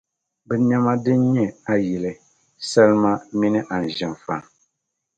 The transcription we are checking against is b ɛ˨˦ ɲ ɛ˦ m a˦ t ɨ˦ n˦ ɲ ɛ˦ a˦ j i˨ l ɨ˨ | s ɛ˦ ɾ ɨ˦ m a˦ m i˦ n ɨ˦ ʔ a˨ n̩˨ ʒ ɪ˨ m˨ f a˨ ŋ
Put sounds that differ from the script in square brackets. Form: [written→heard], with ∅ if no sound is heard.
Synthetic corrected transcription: b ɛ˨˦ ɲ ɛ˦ m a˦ [t→d] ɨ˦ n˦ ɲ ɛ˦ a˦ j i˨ l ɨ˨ | s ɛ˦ [ɾ→l] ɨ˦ m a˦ m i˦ n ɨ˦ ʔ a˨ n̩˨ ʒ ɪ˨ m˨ f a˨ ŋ